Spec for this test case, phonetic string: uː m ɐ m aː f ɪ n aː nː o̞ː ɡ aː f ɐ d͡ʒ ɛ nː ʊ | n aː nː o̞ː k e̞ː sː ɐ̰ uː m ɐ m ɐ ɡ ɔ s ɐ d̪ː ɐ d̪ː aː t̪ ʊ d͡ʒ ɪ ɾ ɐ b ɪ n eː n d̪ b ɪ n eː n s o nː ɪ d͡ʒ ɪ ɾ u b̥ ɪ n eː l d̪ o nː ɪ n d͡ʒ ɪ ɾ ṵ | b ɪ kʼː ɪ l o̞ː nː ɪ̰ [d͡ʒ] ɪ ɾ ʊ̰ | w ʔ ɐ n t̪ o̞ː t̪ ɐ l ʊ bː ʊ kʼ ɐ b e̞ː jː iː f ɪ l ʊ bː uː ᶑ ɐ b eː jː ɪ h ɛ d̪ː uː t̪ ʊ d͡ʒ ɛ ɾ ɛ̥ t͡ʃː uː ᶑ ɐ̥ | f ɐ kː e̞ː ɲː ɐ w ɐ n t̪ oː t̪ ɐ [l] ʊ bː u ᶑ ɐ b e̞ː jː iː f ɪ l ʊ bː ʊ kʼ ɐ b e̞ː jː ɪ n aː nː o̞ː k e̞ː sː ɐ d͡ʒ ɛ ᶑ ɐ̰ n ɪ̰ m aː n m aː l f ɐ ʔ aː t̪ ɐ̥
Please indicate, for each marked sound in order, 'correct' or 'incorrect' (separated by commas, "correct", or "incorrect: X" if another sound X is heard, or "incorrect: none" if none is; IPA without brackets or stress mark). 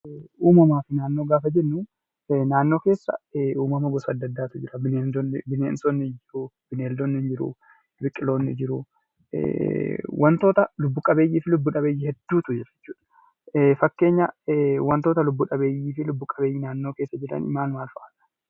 correct, correct